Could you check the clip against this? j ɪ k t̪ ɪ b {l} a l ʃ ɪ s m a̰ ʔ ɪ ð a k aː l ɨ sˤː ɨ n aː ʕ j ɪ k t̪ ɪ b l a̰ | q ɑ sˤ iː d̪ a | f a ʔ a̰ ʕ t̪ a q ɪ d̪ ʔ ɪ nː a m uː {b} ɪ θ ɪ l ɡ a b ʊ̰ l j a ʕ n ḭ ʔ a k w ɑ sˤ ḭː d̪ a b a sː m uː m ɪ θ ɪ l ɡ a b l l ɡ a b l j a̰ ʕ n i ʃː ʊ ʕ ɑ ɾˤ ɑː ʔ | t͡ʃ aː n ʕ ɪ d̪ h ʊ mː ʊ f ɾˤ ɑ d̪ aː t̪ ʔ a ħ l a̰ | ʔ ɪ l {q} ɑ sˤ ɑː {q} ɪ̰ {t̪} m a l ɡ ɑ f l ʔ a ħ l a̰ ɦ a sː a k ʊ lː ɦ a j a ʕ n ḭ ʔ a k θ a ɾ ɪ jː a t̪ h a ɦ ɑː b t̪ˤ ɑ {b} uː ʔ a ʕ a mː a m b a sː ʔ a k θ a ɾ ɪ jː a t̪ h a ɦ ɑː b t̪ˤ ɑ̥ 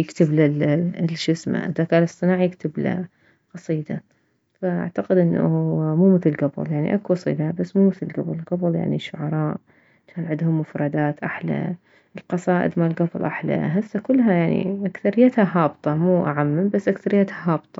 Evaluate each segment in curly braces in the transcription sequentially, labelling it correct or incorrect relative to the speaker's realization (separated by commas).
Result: correct, incorrect, correct, incorrect, incorrect, incorrect